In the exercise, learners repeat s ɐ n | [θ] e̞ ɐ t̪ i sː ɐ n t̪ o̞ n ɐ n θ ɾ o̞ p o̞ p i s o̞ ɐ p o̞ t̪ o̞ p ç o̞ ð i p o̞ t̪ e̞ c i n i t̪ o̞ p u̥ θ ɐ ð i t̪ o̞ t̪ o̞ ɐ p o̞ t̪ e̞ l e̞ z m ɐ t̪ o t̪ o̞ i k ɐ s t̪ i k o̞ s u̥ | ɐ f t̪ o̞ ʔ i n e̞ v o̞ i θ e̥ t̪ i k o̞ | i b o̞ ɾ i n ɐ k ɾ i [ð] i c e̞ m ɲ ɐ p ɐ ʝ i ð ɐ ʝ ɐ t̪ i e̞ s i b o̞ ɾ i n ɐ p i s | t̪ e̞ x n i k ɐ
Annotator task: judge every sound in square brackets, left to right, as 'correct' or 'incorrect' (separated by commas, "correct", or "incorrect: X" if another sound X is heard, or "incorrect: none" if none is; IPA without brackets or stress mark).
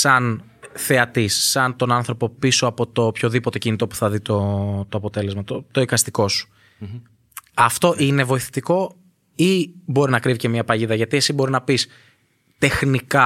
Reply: correct, incorrect: v